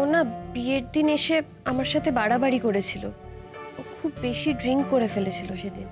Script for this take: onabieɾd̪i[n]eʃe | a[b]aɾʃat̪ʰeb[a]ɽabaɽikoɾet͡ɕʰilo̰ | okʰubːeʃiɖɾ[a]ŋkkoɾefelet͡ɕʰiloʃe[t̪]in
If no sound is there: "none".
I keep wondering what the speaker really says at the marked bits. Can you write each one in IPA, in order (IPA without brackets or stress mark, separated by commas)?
n, m, a, i, d̪